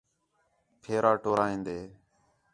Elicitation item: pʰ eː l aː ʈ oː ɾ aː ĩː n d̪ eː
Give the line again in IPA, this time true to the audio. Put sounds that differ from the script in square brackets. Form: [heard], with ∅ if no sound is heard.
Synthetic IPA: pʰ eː [ɾ] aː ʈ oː ɾ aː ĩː n d̪ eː